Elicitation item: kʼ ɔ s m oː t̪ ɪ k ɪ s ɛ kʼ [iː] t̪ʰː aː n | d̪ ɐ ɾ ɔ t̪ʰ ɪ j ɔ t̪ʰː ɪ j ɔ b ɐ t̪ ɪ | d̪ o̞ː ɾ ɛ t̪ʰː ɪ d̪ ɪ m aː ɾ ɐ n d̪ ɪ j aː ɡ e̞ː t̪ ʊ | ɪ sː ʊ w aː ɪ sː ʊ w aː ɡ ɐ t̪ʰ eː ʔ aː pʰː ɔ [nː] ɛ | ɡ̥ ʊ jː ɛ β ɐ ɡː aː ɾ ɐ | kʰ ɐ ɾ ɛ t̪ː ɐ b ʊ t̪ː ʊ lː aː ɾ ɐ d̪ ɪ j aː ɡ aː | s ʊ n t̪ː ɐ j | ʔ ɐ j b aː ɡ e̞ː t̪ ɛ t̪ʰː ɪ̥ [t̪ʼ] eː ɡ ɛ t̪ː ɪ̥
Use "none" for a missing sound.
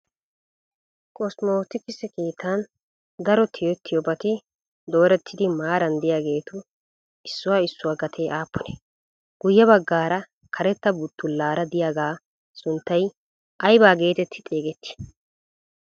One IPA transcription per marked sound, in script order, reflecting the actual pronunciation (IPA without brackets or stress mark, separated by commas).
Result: iː, n, t̪ʼ